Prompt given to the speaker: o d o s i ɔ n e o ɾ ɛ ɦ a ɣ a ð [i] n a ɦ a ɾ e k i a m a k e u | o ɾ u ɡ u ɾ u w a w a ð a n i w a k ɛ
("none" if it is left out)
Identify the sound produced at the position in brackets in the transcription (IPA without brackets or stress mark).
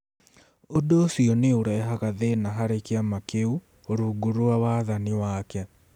e